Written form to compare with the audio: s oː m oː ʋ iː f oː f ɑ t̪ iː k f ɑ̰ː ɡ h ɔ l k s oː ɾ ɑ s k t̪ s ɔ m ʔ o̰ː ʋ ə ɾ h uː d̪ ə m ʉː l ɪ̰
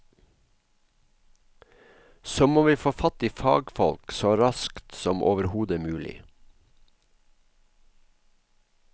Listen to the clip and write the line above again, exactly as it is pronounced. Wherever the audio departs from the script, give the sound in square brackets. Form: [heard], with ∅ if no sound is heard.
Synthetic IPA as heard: s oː m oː ʋ iː f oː f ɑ t̪ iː [∅] f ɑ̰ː ɡ [f] ɔ l k s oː ɾ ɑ s k t̪ s ɔ m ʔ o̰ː ʋ ə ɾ h uː d̪ ə m ʉː l ɪ̰